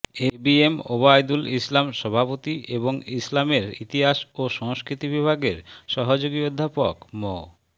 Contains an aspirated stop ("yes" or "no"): no